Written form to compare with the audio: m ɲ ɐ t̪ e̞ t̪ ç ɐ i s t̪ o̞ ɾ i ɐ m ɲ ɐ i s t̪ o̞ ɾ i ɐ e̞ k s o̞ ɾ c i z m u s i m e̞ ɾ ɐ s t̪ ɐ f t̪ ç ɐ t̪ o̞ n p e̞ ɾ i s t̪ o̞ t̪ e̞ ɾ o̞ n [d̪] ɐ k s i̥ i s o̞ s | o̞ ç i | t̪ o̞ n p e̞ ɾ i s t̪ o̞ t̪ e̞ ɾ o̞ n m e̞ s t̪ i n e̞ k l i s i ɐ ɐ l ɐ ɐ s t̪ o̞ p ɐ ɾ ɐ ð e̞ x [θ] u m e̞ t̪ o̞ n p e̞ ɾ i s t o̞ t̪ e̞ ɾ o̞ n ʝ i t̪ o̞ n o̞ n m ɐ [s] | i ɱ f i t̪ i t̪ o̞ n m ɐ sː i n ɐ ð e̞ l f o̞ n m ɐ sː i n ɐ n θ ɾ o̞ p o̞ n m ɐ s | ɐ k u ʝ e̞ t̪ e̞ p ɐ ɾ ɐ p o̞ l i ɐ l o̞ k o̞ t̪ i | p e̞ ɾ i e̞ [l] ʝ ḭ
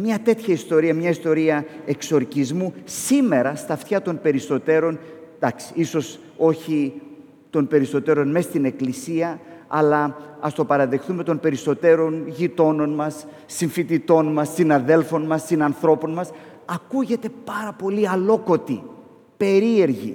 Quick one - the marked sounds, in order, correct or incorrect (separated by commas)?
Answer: correct, correct, incorrect, incorrect